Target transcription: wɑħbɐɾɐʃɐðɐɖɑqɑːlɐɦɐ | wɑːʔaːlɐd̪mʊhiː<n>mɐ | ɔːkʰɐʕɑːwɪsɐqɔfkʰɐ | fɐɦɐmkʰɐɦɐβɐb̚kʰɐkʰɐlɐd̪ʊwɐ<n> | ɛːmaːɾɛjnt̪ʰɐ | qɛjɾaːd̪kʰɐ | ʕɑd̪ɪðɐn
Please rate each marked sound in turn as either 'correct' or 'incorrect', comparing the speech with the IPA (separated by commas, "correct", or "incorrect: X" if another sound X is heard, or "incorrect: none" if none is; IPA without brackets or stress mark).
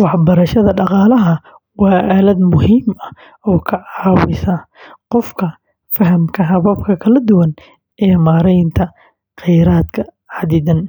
incorrect: none, correct